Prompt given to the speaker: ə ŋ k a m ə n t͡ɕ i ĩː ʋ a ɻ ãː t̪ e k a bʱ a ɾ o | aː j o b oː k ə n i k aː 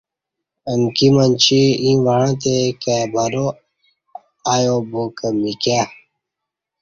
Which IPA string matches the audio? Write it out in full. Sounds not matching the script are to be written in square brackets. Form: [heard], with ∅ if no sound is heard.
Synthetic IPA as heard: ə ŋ k [i] m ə n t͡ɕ i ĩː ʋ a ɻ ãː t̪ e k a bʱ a ɾ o | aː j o b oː k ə [m] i k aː